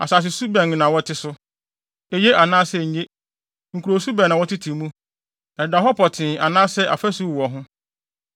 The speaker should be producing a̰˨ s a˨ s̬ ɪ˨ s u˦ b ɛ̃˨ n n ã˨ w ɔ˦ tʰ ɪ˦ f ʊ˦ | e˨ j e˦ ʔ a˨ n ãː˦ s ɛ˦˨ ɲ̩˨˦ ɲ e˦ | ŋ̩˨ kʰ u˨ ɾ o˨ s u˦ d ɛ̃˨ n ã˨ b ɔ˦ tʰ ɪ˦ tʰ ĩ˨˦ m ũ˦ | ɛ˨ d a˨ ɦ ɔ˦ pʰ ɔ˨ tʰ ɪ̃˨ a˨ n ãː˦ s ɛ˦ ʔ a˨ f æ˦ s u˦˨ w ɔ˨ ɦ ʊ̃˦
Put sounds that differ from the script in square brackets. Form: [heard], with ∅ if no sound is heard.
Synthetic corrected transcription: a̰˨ s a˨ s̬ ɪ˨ s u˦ b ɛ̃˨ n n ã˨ w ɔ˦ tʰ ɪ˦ [s] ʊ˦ | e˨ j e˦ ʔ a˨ n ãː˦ s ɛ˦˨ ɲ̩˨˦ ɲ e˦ | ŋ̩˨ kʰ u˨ ɾ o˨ s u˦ [b] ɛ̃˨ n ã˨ [w] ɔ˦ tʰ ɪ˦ tʰ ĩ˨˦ m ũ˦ | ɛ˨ d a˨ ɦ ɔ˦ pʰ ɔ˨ tʰ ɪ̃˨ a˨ n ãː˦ s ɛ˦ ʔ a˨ f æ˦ s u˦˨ w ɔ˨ ɦ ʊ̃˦

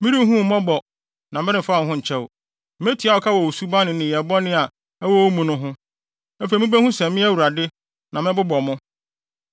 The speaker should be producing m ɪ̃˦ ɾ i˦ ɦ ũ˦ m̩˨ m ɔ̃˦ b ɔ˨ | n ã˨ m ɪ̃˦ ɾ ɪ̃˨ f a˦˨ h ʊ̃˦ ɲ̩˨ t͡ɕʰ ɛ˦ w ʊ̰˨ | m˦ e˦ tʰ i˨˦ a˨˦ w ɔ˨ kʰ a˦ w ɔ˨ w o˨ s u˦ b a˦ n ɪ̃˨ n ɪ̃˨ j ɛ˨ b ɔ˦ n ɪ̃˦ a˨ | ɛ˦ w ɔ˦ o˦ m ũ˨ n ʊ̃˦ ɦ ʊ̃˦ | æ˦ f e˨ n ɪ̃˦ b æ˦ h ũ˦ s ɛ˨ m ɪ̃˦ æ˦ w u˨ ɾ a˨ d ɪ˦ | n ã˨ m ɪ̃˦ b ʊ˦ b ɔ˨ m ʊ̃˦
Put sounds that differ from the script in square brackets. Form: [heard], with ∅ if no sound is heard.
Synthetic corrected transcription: m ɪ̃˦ ɾ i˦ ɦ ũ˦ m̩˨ m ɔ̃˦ b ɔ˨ | n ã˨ m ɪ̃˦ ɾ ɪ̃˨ f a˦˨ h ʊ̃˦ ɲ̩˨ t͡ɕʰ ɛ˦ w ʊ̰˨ | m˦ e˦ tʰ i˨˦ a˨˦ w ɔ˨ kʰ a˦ w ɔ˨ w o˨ s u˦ b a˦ n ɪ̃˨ n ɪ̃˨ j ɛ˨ b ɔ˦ n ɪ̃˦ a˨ | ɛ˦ w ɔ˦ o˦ m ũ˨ n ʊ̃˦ ɦ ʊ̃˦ | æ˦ f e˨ [m] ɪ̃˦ b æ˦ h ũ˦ s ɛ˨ m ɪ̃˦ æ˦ w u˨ ɾ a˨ d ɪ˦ | n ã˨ m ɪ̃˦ b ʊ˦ b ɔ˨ m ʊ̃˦

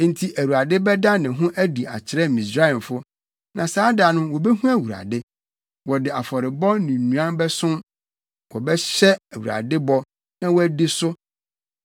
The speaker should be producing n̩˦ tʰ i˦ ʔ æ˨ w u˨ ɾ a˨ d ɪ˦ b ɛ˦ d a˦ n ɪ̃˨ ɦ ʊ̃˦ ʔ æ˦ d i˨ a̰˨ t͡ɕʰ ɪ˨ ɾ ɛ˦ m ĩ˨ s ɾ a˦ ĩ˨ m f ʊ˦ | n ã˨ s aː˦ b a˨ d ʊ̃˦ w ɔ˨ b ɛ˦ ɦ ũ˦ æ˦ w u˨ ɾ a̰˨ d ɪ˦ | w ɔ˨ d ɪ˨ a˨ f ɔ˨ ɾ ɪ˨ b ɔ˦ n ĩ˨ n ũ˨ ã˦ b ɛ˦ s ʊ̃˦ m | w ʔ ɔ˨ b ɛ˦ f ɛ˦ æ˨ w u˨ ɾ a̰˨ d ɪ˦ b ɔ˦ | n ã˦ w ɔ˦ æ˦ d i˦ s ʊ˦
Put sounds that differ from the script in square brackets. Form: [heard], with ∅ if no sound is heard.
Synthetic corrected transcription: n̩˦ tʰ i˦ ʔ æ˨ w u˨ ɾ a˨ d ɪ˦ b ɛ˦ d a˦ n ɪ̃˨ ɦ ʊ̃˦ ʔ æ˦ d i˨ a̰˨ t͡ɕʰ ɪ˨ ɾ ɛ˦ m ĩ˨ s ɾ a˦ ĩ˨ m f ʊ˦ | n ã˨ s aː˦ [d] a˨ [n] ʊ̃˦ w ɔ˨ b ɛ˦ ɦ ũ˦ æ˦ w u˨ ɾ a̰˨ d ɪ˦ | w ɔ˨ d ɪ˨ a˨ f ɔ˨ ɾ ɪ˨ b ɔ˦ n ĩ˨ n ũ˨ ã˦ b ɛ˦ s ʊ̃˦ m | w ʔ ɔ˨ b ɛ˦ [ɕ] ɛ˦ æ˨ w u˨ ɾ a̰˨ d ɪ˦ b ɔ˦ | n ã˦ w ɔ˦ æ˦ d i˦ s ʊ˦

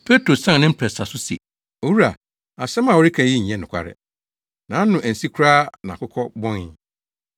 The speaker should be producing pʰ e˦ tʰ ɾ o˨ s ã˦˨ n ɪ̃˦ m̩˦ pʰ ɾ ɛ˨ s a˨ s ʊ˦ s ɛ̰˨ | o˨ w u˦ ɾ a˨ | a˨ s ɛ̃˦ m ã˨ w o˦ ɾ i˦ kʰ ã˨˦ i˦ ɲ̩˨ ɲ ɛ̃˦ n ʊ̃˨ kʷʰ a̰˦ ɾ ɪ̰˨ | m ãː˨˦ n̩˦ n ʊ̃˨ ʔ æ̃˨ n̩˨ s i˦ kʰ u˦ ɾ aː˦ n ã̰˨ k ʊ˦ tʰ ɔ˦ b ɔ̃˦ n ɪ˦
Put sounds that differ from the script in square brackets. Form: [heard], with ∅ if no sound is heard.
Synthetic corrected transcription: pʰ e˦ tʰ ɾ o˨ s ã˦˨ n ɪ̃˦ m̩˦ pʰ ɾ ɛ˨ s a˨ s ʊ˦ s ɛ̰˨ | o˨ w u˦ ɾ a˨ | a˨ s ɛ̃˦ m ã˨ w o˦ ɾ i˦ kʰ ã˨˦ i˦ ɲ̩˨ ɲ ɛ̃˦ n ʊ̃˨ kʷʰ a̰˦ ɾ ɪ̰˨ | [n] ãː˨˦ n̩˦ n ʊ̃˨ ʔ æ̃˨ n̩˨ s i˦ kʰ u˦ ɾ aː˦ n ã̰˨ k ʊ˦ [kʰ] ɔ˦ b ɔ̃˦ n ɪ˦

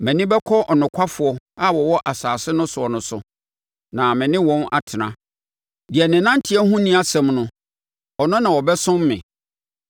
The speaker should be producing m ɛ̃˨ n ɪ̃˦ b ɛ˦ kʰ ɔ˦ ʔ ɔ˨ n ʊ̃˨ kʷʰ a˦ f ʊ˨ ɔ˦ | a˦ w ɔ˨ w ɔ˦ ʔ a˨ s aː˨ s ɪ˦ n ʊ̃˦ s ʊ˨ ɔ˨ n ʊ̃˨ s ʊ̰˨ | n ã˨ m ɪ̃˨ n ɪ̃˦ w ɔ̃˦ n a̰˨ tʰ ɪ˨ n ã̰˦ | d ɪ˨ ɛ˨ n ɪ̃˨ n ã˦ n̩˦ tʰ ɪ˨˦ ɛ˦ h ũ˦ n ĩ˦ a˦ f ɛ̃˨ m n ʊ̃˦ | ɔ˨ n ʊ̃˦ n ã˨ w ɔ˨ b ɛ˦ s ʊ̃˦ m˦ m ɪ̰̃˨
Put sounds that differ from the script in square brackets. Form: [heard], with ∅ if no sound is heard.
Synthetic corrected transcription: m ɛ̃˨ n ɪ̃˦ b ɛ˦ kʰ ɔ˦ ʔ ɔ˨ n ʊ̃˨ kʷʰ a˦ f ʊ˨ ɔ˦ | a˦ w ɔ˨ w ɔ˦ ʔ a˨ s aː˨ s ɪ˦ n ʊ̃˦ s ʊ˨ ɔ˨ n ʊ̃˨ s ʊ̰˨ | n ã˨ m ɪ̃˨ n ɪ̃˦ w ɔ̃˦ n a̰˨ tʰ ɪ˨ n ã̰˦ | d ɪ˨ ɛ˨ n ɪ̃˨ n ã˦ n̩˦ tʰ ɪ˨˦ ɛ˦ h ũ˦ n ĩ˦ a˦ [s] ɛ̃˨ m n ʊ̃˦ | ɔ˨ n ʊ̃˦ n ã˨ w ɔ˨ b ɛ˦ s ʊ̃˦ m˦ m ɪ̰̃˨

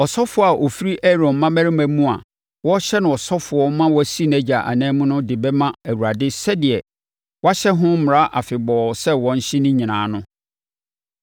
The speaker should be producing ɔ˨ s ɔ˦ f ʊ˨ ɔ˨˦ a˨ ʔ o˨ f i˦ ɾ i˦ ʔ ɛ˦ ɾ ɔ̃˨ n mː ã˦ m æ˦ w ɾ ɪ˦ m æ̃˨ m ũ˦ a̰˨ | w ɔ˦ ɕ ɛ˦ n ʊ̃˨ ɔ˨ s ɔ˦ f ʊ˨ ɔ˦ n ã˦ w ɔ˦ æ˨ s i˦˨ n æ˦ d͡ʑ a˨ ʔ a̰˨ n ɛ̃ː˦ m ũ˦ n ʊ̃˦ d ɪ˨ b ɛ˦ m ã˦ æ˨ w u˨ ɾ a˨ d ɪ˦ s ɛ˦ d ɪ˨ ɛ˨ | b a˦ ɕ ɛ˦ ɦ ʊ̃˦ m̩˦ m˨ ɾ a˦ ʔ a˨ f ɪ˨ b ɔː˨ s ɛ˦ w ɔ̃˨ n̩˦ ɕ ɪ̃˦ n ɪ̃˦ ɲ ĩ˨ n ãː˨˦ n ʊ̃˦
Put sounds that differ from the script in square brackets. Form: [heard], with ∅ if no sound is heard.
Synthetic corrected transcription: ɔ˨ s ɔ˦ f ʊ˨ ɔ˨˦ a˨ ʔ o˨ f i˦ ɾ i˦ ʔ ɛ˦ ɾ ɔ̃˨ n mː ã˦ m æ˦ [∅] ɾ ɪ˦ m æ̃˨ m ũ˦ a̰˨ | w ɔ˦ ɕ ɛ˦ n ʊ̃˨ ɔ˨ s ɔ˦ f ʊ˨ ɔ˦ [m] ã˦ w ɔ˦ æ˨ s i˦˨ n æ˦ d͡ʑ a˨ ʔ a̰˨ n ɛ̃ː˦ m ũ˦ n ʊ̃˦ d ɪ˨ b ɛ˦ m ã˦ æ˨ w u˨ ɾ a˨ d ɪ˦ s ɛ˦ d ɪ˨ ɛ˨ | [w] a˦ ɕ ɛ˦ ɦ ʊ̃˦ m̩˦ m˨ ɾ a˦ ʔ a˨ f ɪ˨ b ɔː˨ s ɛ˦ w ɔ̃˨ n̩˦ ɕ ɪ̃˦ n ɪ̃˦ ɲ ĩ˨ n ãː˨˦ n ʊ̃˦

